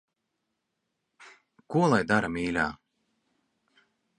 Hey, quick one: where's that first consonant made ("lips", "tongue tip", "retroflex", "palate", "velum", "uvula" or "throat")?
velum